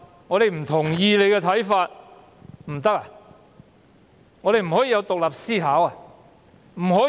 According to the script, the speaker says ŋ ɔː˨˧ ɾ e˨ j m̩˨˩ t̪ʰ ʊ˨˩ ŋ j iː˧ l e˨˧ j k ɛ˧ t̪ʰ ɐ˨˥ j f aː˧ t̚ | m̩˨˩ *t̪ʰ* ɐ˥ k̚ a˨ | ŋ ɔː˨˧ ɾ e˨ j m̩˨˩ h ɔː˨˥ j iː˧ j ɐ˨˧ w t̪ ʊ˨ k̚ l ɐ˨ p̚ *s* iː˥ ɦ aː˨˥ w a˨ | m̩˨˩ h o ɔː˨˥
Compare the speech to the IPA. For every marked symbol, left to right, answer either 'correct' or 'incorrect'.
incorrect: t̪, correct

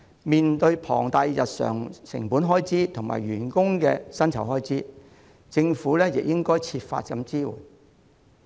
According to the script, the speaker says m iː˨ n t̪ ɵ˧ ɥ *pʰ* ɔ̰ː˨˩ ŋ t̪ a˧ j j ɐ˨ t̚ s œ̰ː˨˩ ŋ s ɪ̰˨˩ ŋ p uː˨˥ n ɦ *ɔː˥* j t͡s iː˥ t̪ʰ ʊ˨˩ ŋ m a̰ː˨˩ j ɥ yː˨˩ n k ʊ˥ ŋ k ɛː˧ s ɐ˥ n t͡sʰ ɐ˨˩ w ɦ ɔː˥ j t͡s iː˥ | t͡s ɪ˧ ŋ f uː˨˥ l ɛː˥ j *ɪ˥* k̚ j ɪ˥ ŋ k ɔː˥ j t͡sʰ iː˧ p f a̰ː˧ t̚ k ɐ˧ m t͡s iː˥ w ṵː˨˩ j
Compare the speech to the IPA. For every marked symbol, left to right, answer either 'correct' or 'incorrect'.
correct, correct, incorrect: ɪ˨

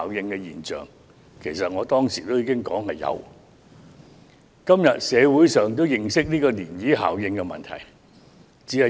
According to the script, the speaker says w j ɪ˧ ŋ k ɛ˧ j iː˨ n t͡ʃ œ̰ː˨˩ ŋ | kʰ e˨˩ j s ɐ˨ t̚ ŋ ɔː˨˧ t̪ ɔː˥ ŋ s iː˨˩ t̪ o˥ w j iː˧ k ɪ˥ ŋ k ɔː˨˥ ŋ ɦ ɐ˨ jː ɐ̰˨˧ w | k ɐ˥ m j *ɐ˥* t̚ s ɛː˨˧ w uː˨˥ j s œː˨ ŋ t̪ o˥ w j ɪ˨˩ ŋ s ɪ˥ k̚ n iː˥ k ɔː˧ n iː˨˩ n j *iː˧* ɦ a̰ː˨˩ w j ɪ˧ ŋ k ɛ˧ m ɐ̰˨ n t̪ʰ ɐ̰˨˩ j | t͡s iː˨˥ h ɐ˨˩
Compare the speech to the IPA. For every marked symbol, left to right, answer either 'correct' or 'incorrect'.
incorrect: ɐ˨, incorrect: iː˨˥

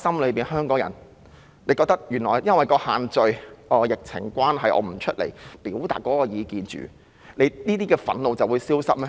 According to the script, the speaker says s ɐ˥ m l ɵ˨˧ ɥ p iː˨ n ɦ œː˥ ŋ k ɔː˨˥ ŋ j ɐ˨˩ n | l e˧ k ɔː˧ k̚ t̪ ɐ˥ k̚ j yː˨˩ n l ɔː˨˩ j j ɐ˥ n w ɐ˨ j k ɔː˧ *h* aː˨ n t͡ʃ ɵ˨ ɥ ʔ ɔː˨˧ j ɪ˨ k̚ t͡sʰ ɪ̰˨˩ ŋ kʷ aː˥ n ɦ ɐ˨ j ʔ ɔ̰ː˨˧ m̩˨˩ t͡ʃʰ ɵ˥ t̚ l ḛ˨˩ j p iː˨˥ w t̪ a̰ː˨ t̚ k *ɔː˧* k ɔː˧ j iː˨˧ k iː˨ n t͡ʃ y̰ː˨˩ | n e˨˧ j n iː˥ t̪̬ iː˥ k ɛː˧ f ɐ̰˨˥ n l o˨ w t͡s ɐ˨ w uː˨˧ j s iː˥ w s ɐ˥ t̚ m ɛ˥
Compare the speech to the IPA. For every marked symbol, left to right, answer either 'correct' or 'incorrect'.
correct, incorrect: ɔː˨˥

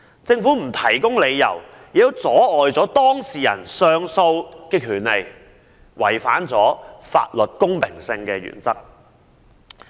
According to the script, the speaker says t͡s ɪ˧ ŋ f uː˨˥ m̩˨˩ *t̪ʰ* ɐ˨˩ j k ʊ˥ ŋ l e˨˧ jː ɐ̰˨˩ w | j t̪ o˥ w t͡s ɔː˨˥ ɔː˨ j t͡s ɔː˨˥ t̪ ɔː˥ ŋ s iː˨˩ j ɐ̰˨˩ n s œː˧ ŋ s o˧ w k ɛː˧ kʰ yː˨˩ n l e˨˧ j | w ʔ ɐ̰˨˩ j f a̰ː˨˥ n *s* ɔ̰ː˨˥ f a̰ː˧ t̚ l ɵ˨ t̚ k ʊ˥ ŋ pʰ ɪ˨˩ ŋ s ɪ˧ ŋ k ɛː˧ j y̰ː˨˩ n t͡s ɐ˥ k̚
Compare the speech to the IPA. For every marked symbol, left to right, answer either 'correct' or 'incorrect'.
correct, incorrect: t͡s

